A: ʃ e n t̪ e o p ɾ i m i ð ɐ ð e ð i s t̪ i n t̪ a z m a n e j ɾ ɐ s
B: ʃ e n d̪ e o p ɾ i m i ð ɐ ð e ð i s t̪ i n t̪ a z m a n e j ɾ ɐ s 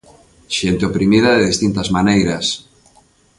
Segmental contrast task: A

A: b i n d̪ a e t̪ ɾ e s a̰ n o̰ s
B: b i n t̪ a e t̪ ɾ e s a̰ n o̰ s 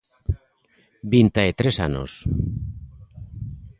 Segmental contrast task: B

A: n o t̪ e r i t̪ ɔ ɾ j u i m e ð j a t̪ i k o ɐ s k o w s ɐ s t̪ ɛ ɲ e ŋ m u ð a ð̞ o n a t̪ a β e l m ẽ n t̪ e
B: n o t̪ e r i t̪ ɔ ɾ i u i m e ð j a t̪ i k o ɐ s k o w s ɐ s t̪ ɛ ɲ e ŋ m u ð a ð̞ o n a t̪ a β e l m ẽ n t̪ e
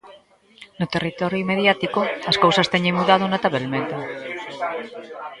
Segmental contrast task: A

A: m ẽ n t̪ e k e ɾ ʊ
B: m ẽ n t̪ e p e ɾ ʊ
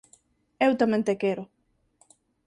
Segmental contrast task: A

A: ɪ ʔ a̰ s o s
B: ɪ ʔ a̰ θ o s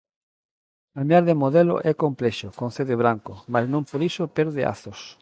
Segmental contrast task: B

